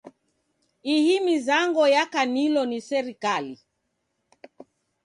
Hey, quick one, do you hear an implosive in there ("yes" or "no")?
no